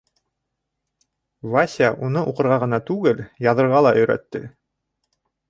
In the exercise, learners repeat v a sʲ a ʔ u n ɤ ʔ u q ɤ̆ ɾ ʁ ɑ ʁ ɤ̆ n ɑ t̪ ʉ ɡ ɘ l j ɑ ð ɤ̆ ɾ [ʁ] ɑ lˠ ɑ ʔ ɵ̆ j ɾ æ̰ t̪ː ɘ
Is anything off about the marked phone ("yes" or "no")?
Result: no